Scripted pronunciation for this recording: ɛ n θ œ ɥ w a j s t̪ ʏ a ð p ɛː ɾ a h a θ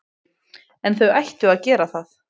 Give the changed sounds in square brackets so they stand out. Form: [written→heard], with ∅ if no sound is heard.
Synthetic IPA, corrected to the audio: ɛ n θ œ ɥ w a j [s→h] t̪ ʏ a ð [p→c] ɛː ɾ a [h→θ] a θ